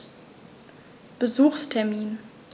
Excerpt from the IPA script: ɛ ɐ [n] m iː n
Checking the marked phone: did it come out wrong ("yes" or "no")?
yes